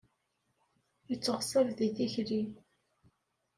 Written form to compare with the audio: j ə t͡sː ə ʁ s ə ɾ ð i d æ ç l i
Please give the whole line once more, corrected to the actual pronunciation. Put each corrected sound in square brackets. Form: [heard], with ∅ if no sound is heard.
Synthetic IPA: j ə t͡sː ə ʁ s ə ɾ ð i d [i] ç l i